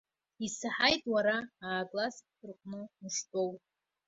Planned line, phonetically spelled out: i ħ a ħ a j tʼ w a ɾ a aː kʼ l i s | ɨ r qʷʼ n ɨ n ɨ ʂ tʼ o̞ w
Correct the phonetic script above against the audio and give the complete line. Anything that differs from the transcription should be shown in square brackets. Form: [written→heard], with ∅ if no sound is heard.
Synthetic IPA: i [ħ→s] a ħ a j tʼ w a ɾ a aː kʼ l [i→a] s | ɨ r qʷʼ n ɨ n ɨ ʂ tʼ o̞ w